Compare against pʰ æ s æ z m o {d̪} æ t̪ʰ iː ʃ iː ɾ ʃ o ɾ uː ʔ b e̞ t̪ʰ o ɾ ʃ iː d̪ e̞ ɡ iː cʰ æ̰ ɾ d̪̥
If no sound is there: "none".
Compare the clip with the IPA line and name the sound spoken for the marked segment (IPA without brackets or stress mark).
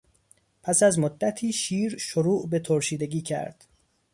d̪ː